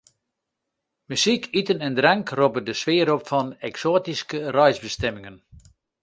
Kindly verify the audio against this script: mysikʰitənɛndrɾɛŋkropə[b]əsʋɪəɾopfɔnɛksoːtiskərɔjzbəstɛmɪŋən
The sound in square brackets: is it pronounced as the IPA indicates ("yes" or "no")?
no